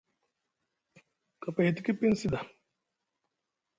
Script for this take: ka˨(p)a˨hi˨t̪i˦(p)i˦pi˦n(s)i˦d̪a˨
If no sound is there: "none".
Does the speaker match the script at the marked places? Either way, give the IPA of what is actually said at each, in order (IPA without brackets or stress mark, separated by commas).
p, k, s